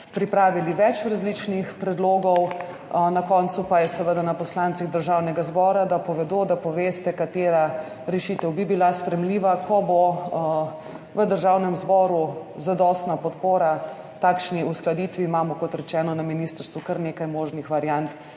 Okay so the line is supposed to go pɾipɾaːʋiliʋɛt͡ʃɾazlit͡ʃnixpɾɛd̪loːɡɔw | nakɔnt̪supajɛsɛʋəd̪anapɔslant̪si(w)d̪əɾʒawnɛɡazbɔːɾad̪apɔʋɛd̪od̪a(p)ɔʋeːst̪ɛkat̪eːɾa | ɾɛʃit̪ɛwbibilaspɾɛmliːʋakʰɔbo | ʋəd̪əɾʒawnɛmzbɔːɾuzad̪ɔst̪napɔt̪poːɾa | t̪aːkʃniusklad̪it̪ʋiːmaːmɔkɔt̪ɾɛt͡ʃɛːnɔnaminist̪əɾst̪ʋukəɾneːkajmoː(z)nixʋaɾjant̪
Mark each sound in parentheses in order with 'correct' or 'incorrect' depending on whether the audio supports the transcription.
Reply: incorrect, correct, incorrect

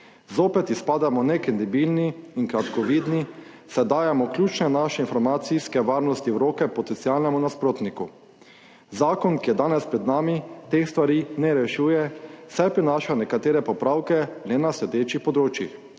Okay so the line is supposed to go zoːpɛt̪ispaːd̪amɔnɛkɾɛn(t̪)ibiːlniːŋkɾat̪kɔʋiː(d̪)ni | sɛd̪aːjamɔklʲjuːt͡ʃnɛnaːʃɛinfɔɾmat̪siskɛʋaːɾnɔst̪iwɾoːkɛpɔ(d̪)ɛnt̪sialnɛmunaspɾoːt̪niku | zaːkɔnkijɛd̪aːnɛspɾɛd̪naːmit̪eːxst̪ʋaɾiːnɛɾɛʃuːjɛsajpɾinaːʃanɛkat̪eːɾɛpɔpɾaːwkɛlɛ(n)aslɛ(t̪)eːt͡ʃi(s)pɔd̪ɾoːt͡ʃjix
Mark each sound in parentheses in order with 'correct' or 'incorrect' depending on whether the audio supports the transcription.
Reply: incorrect, correct, incorrect, correct, incorrect, incorrect

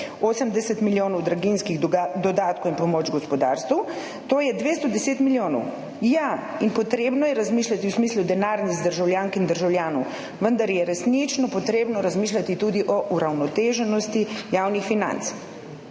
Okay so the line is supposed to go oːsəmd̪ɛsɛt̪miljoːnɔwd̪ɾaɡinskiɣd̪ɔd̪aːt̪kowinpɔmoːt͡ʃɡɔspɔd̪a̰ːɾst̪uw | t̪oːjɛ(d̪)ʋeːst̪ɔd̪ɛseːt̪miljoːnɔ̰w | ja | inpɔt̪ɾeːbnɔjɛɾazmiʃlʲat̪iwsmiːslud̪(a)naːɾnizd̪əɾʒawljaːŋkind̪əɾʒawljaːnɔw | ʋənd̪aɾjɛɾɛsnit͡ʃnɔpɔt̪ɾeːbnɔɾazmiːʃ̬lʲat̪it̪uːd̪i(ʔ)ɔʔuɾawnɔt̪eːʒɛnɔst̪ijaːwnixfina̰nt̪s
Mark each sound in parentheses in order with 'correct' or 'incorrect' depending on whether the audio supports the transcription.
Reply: correct, incorrect, correct

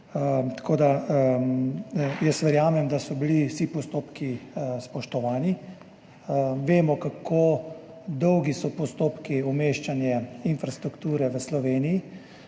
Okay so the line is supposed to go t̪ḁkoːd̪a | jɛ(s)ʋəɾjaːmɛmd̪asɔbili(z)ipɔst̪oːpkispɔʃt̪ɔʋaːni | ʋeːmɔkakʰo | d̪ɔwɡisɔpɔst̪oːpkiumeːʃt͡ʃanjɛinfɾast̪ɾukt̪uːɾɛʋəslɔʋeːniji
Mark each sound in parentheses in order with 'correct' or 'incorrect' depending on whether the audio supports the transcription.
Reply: correct, incorrect

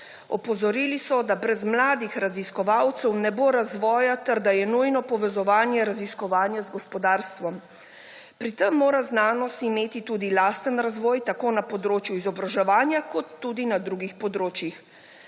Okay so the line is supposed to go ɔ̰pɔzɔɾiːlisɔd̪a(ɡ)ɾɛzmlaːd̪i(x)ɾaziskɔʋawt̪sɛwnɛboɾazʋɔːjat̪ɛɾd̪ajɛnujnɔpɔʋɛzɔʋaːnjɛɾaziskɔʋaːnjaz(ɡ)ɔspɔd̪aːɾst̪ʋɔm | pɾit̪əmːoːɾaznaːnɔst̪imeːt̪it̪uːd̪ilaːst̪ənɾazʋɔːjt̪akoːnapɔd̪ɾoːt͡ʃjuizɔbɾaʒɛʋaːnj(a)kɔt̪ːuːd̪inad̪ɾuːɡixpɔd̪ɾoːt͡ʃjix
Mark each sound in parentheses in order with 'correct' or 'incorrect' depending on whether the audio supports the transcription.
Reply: incorrect, correct, correct, correct

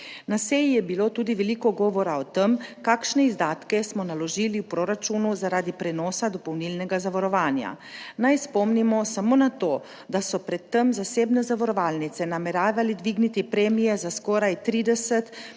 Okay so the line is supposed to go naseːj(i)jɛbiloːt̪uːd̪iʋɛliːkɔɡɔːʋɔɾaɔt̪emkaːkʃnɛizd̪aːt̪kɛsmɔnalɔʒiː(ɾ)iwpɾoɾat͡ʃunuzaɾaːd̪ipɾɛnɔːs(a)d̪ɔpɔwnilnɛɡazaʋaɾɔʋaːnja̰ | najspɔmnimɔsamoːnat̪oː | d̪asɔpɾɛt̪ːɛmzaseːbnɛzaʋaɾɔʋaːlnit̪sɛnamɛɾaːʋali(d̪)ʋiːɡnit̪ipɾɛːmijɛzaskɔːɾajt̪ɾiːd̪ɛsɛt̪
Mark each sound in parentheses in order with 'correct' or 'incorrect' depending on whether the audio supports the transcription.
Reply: correct, incorrect, correct, correct

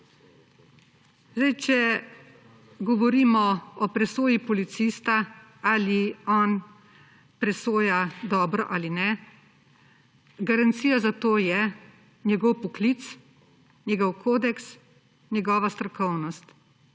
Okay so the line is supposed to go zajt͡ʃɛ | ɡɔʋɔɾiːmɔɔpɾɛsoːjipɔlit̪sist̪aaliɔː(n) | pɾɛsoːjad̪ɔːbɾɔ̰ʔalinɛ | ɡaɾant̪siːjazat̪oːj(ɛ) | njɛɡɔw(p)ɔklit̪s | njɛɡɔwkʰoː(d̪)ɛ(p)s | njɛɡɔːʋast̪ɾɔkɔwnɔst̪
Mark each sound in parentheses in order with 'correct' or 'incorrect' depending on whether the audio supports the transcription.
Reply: correct, correct, correct, correct, incorrect

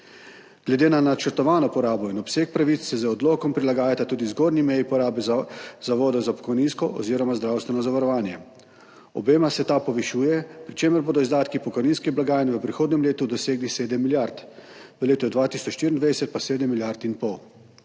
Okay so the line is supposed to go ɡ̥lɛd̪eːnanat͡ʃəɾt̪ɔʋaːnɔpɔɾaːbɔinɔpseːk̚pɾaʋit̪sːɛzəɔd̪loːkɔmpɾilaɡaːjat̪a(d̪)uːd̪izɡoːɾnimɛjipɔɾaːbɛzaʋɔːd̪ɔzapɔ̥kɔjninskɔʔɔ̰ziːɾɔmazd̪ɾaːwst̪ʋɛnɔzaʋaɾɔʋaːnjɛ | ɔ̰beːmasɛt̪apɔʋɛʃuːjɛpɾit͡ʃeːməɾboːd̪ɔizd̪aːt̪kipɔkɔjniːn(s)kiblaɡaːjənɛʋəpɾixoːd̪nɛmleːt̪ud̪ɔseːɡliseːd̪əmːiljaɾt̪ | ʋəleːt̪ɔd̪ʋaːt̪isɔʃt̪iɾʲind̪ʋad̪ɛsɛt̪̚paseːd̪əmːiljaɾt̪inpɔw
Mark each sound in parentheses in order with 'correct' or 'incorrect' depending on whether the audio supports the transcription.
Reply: incorrect, correct

